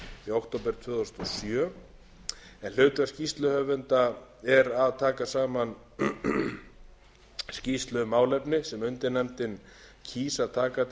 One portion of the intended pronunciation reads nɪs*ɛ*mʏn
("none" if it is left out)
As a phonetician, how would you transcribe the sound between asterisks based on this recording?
ɛ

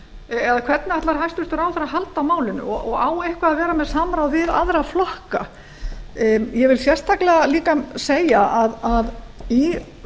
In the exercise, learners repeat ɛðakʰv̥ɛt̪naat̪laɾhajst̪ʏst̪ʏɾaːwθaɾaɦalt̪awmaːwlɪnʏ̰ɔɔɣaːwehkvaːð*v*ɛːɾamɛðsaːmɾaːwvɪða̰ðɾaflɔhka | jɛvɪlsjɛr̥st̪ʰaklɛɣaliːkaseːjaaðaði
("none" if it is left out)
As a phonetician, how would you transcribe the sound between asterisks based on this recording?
v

